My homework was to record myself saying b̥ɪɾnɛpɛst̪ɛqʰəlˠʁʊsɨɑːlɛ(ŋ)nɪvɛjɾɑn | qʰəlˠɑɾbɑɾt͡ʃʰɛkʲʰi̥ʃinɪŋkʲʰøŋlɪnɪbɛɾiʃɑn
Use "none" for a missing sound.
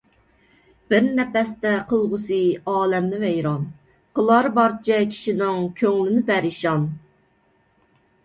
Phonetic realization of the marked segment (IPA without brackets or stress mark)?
m